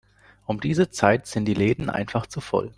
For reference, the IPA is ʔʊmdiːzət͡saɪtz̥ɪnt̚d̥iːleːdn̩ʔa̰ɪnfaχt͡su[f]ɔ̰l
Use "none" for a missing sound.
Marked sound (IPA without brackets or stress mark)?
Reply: f